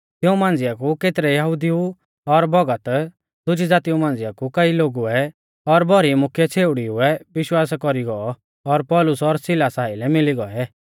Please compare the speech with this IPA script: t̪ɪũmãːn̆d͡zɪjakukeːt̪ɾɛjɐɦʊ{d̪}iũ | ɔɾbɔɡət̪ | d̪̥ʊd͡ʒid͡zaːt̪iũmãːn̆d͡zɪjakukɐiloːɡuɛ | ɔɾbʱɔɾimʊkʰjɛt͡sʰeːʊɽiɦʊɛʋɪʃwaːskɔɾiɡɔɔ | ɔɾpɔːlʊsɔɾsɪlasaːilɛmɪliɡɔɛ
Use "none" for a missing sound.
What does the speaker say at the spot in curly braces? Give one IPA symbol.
d̪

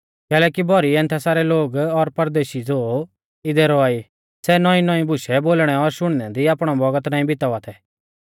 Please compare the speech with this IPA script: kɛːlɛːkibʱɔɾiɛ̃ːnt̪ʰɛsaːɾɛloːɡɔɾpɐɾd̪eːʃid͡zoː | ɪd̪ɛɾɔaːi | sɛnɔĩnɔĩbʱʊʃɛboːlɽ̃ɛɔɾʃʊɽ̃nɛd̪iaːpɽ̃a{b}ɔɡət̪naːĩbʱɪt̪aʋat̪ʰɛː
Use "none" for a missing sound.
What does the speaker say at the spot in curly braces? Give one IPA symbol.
b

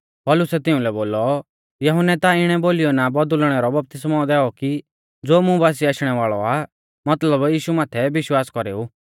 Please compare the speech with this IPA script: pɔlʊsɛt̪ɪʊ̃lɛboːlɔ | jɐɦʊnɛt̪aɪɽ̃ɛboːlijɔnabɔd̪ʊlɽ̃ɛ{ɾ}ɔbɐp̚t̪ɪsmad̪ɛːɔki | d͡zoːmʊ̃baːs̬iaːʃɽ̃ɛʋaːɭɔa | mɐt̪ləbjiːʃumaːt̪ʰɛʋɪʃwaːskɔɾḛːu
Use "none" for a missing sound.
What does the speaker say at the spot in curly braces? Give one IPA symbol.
ɾ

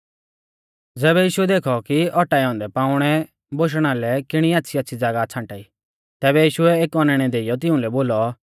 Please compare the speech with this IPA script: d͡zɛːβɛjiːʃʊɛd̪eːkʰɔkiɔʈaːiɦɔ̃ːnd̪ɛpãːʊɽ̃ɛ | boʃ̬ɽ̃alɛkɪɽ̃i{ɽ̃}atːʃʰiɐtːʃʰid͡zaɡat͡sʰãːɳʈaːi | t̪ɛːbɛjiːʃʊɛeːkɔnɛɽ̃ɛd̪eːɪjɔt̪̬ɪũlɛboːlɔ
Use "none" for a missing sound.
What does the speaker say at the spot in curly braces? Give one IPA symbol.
none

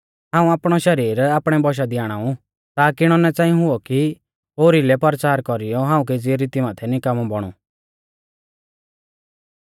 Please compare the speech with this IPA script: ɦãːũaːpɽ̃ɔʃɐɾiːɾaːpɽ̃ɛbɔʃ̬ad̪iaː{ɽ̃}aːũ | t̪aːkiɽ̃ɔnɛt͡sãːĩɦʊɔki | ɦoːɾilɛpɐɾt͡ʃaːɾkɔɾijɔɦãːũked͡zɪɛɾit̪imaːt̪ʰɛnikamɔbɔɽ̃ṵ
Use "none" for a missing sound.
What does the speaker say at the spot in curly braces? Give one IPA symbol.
ɽ̃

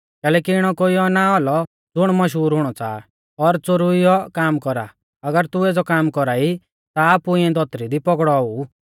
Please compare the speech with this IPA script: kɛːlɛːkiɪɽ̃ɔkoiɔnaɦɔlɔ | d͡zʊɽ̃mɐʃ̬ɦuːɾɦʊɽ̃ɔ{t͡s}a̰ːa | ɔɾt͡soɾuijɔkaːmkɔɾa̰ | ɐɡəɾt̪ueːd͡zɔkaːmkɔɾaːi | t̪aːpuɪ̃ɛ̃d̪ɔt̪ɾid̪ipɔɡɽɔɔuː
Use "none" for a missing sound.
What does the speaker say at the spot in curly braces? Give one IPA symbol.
t͡s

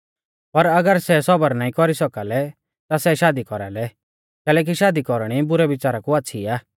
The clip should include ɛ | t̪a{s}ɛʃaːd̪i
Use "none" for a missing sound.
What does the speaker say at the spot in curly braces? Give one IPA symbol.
s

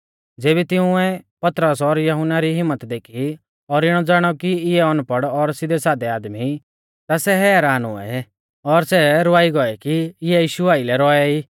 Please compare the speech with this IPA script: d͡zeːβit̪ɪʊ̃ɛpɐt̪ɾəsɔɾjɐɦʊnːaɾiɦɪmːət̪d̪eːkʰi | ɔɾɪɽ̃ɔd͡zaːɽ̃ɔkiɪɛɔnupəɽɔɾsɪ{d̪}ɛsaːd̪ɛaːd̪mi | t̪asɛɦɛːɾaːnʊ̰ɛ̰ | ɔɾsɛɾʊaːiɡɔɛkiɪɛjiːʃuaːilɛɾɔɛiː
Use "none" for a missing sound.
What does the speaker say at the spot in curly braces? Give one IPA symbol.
d̪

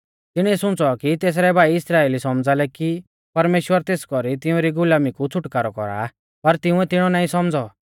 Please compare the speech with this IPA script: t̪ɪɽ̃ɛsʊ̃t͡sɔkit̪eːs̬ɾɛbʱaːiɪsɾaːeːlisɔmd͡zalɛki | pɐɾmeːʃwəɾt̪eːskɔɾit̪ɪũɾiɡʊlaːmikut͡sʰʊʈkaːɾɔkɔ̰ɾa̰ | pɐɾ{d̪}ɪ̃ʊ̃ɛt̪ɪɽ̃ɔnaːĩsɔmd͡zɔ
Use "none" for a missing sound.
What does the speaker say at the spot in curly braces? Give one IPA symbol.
t̪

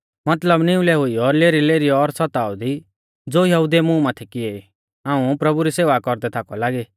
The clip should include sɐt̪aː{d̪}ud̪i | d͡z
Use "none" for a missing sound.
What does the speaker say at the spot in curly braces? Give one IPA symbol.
none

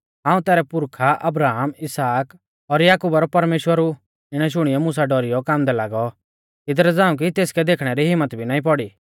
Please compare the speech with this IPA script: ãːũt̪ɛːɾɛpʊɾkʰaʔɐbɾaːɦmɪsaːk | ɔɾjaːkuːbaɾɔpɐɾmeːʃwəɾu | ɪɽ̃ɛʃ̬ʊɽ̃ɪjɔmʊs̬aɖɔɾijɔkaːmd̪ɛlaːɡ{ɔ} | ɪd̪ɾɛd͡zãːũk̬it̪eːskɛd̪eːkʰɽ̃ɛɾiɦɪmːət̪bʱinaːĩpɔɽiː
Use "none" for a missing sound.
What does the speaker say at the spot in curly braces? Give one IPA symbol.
ɔ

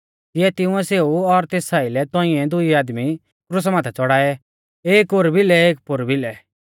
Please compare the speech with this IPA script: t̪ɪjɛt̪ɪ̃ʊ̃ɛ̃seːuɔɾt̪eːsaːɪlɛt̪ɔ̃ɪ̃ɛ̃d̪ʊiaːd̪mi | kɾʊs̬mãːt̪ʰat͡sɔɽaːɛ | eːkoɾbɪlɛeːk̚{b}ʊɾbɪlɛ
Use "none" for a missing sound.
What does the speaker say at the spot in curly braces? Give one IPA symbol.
p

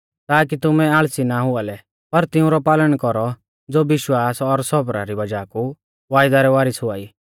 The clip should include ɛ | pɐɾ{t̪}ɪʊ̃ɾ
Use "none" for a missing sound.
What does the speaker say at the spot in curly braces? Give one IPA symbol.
t̪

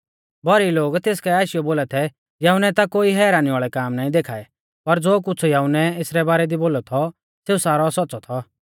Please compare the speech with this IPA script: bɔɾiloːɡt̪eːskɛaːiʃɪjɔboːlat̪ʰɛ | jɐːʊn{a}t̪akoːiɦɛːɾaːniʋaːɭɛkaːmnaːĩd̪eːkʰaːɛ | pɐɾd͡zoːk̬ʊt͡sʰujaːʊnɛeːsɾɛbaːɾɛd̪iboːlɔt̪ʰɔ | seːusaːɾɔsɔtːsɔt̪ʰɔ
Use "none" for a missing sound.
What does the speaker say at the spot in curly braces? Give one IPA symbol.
ɛ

